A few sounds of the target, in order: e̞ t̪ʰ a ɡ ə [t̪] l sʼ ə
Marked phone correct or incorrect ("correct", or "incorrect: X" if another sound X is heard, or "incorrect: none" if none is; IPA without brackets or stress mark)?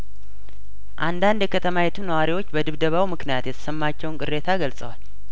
incorrect: none